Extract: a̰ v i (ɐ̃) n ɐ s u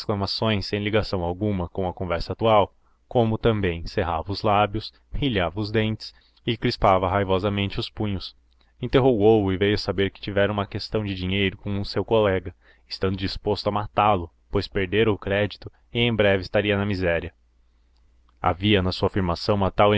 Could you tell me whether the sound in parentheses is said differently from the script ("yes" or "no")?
yes